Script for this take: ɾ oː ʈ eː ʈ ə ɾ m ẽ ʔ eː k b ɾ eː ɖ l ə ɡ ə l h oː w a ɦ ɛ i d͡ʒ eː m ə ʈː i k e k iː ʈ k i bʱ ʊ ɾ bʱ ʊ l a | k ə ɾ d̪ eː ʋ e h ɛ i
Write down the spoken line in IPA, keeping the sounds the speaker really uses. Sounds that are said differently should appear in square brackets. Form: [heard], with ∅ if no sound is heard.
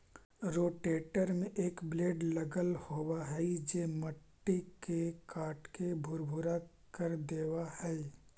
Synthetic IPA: ɾ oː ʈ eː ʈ ə ɾ m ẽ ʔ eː k b [l] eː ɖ l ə ɡ ə l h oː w a ɦ ɛ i d͡ʒ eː m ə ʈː i k e k [aː] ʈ k [e] bʱ ʊ ɾ bʱ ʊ [ɾ] a | k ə ɾ d̪ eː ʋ [a] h ɛ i